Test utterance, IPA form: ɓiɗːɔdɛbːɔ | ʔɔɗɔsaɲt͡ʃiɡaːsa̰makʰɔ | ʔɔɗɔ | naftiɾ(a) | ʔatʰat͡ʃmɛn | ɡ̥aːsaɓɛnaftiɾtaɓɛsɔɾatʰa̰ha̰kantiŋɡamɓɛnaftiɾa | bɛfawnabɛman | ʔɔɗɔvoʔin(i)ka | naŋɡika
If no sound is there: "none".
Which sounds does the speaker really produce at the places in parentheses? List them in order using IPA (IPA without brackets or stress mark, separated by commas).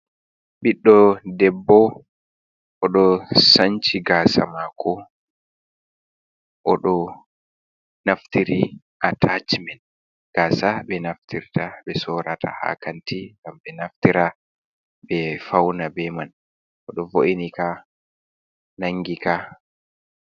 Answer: i, i